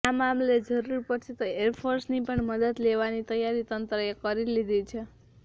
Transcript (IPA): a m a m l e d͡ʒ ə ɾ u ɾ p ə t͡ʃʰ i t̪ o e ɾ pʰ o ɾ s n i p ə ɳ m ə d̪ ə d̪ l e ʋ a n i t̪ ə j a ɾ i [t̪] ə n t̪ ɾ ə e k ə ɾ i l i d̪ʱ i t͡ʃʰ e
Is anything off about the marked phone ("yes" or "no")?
no